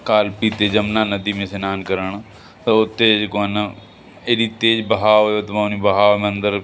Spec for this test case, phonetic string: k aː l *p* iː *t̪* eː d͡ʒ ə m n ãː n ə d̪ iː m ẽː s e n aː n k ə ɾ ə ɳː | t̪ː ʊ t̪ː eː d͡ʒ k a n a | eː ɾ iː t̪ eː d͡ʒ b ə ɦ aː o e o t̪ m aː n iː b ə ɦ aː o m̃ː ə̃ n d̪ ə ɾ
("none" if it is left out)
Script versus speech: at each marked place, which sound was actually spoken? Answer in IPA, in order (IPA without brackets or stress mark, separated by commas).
p, t̪